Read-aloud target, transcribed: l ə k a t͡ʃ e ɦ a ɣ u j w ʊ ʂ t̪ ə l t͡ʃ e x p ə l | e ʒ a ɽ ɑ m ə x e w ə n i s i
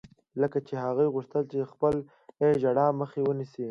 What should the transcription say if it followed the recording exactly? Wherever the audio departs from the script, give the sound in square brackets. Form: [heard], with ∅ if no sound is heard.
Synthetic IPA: l ə k a t͡ʃ e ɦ a ɣ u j [ɣ] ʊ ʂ t̪ ə l t͡ʃ e x p ə l | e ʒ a ɽ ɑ m ə x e w ə n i s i